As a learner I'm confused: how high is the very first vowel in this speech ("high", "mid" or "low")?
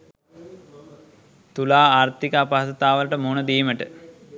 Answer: high